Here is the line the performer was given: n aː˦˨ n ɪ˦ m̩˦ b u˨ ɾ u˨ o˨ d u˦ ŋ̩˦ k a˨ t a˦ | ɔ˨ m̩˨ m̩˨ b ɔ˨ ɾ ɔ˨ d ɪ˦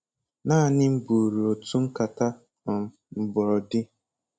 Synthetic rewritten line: n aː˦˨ n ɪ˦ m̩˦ b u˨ ɾ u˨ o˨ t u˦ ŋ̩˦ k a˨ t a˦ | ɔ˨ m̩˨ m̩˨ b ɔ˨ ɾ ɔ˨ d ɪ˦